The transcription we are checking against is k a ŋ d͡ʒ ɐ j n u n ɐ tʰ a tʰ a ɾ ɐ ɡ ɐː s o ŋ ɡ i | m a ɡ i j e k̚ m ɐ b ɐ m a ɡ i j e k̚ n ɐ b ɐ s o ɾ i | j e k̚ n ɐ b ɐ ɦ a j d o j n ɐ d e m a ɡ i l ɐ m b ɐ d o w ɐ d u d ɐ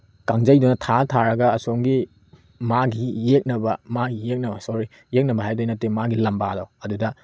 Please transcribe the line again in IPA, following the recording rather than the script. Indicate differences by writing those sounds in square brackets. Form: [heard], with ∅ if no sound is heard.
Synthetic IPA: k a ŋ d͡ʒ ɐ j [d] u n ɐ tʰ a tʰ a ɾ ɐ ɡ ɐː s o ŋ ɡ i | m a ɡ i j e k̚ [n] ɐ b ɐ m a ɡ i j e k̚ n ɐ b ɐ s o ɾ i | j e k̚ n ɐ b ɐ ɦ a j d o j n ɐ [t] e m a ɡ i l ɐ m b [a] d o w ɐ d u d ɐ